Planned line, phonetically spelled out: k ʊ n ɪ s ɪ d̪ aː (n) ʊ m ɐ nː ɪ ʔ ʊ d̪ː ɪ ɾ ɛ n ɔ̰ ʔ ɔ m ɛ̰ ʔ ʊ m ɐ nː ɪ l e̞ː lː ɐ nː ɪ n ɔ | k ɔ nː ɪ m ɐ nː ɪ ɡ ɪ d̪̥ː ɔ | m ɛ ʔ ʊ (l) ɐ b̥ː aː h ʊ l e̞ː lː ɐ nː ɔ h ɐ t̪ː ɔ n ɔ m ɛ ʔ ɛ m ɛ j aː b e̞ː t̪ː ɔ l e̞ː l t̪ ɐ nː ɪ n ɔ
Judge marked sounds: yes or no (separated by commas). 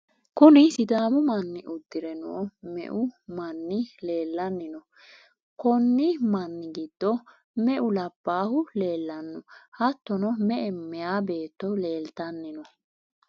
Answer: no, yes